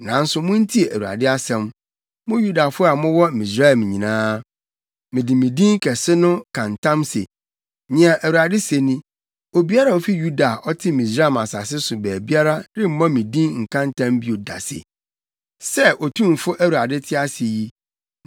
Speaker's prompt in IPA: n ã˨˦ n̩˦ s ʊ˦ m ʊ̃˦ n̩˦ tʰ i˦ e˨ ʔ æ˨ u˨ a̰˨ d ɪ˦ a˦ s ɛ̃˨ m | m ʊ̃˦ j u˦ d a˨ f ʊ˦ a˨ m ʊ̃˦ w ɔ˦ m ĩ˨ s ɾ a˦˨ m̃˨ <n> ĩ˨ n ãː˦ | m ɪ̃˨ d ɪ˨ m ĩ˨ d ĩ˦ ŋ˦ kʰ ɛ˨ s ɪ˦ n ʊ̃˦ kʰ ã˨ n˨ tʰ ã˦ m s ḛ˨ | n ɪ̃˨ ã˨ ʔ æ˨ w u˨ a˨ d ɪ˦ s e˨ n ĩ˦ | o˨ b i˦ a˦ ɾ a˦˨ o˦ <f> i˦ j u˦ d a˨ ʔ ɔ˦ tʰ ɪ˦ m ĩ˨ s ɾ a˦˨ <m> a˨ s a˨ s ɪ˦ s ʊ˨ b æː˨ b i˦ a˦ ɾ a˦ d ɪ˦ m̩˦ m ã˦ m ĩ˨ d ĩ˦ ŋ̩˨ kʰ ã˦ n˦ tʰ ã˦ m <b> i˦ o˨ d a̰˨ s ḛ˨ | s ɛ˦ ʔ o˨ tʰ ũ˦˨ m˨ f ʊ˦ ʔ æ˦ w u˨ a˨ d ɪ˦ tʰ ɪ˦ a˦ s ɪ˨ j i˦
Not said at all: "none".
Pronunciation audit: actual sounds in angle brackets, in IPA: ɲ, f, m, b

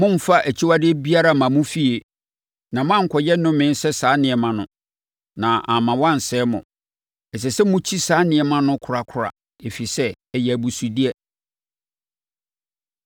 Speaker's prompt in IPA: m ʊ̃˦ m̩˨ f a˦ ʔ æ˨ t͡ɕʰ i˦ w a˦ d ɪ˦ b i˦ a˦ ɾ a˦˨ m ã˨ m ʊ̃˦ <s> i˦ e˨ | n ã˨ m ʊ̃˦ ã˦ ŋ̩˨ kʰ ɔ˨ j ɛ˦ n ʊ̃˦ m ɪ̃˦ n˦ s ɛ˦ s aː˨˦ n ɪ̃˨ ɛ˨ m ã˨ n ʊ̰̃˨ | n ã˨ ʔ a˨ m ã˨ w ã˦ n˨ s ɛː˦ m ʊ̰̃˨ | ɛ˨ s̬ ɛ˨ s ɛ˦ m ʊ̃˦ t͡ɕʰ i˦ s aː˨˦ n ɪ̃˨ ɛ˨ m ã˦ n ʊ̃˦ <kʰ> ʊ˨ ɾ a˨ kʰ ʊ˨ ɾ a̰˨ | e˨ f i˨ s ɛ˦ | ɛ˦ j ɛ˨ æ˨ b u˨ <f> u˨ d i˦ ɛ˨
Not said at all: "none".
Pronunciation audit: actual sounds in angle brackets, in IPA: f, kʰ, s

